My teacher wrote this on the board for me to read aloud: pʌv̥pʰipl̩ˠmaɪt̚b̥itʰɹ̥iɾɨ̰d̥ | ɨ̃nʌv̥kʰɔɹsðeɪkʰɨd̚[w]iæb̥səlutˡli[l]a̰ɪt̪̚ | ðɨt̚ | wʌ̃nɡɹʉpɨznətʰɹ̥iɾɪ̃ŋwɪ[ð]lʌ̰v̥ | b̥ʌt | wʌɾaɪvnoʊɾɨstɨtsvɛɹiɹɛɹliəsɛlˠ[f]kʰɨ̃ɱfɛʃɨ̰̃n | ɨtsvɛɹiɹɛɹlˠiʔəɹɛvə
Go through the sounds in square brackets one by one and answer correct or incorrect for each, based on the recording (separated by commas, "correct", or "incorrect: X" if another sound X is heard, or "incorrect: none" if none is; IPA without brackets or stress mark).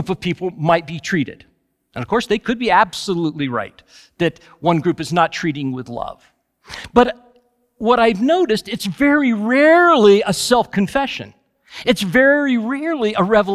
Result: incorrect: b, incorrect: ɹ, correct, correct